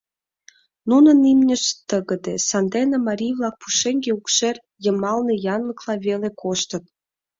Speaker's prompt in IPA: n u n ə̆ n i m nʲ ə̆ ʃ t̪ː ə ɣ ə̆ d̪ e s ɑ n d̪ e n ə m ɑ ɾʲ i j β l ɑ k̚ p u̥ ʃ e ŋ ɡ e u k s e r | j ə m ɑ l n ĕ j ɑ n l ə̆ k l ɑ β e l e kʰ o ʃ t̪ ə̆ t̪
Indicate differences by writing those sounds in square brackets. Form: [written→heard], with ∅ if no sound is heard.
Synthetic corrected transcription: n u n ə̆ n i m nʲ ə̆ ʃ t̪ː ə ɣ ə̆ d̪ e s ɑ n d̪ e n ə m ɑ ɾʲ i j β l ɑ k̚ p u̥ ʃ e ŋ ɡ e u k [s→ʃ] e r | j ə m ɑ l n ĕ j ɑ n l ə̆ k l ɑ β e l e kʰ o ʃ t̪ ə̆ t̪